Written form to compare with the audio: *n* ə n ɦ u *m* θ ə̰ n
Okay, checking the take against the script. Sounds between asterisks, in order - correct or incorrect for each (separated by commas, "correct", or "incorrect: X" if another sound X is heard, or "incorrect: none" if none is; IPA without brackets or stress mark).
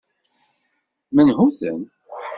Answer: incorrect: m, incorrect: none